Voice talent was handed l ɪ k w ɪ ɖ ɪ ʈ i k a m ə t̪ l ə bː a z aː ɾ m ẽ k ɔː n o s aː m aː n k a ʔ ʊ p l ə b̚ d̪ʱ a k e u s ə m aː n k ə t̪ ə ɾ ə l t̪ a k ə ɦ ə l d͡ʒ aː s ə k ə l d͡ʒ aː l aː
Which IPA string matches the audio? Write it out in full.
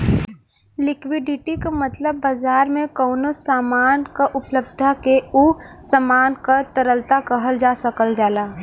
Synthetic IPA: l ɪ k w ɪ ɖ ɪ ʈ i k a m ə t̪ l ə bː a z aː ɾ m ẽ k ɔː n o s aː m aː n k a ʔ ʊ p l ə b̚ d̪ʱ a k e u s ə m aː n k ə t̪ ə ɾ ə l t̪ a k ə ɦ ə l d͡ʒ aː s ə k ə l d͡ʒ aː l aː